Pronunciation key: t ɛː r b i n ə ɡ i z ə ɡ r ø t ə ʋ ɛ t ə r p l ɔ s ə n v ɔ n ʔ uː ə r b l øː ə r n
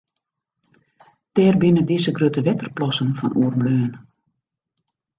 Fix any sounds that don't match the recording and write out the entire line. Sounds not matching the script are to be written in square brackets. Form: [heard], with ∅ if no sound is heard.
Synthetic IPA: t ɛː r b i n ə [d] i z ə ɡ r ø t ə ʋ ɛ t ə r p l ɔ s ə n [f] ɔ n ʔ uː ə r b l øː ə [∅] n

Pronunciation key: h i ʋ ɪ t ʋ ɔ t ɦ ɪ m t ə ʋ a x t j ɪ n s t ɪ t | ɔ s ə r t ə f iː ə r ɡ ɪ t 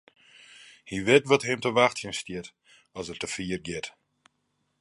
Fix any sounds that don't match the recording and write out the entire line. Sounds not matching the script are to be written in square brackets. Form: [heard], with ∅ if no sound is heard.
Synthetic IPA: h i ʋ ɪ t ʋ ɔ t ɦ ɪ m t ə ʋ a x t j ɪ n s t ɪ t | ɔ s ə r t ə f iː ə r ɡ ɪ t

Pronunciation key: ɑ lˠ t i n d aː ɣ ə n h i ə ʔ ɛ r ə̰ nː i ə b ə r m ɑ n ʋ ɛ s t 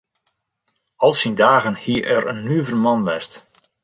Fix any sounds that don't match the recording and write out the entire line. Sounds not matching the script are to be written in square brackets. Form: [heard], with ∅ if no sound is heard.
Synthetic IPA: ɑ lˠ [s] i n d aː ɣ ə n h i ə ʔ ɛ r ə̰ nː [y] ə [v] ə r m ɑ n ʋ ɛ s t

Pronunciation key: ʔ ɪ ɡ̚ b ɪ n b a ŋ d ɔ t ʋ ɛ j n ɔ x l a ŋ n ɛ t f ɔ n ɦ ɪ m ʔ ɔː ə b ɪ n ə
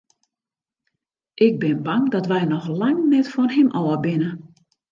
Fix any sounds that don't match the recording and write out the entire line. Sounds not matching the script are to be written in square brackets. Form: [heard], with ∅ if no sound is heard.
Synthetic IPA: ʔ ɪ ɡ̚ b ɪ n b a ŋ d ɔ t ʋ ɛ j n ɔ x l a ŋ n ɛ t f ɔ n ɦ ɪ m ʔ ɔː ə b ɪ n ə

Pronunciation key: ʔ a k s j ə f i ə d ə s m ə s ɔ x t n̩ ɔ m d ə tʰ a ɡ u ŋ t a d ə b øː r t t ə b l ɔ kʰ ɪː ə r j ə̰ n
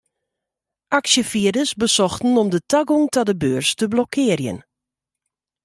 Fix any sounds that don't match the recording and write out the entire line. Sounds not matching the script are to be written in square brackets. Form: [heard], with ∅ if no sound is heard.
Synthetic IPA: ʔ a k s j ə f i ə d ə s [b] ə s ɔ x t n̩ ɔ m d ə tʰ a ɡ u ŋ t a d ə b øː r [s] t ə b l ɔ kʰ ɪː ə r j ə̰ n

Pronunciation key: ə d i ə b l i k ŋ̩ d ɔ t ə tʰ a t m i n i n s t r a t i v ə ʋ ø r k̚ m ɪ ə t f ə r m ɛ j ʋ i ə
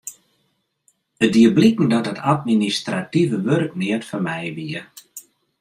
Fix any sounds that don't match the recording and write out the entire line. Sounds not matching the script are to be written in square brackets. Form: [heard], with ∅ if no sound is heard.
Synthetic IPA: ə d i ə b l i k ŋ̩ d ɔ t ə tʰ a t m i n i [∅] s t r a t i v ə ʋ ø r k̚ [n] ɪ ə t f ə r m ɛ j ʋ i ə

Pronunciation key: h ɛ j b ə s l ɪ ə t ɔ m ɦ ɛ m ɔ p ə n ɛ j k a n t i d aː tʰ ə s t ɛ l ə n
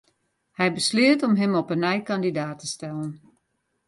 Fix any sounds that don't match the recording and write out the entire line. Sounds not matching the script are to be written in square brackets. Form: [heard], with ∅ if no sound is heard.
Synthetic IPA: h ɛ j b ə s l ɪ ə t ɔ m ɦ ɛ m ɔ p ə n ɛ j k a n [d] i d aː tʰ ə s t ɛ l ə n

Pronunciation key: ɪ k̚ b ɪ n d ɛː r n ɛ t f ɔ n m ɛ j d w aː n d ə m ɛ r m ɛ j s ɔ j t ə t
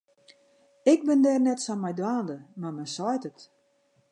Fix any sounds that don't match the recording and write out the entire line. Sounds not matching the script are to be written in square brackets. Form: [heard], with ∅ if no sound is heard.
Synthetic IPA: ɪ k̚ b ɪ n d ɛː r n ɛ t [s] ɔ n m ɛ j d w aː n d ə m [a] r m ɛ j s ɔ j t ə t

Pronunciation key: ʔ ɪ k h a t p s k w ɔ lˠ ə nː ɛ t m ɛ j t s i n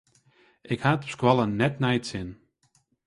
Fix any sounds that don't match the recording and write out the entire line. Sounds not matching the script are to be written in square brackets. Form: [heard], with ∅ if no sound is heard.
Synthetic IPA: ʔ ɪ k h a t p s k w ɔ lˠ ə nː ɛ t [n] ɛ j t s [ɪ] n

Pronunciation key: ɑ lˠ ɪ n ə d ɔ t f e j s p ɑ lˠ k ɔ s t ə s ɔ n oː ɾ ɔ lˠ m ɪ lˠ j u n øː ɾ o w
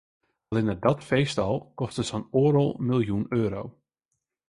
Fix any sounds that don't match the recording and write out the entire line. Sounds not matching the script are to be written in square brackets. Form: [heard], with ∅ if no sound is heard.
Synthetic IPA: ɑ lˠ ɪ n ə d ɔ t f e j s [t] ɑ lˠ k ɔ s t ə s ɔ n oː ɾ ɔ lˠ m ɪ lˠ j u n øː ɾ o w

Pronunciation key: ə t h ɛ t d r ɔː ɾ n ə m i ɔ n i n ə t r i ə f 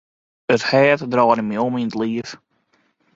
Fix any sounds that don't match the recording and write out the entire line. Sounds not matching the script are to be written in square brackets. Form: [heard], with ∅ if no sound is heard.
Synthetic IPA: ə t h [ɛː] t d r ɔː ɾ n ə m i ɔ [m] i n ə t [l] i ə f

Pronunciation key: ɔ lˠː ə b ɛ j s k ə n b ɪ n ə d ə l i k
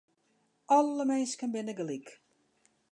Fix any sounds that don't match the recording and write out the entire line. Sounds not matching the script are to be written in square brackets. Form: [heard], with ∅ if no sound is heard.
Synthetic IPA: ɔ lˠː ə [m] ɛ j s k ə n b ɪ n ə [ɡ] ə l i k

